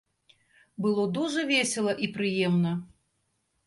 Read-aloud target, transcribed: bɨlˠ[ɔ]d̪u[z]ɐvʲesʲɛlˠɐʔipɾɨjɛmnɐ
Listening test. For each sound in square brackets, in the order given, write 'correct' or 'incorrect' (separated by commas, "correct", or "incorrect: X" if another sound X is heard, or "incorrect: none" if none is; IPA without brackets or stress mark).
correct, incorrect: ʐ